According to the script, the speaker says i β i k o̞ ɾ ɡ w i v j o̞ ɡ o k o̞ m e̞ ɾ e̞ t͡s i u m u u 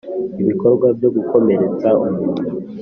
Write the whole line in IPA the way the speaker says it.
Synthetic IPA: i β i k o̞ ɾ ɡ w a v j o̞ ɡ u k o̞ m e̞ ɾ e̞ t͡s a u m u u